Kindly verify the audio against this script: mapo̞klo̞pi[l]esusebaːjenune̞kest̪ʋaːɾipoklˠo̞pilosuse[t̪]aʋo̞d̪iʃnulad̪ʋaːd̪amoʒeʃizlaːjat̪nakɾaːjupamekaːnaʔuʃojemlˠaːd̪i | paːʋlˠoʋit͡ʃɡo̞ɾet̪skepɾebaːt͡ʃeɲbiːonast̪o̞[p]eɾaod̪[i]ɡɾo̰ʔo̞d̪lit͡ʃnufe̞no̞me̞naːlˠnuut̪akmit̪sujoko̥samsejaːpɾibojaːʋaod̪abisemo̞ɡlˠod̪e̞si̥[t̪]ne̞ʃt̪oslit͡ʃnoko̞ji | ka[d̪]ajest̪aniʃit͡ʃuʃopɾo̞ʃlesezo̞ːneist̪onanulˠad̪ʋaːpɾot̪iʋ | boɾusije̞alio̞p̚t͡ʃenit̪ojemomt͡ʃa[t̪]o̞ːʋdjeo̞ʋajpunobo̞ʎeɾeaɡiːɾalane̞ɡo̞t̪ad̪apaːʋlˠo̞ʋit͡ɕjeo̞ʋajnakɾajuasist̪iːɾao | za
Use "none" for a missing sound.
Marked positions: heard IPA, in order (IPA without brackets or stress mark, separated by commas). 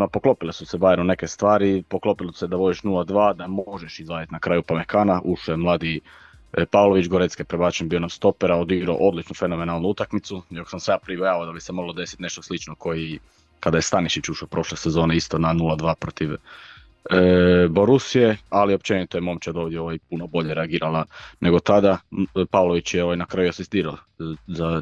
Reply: l, d̪, p, i, t̪, d̪, d̪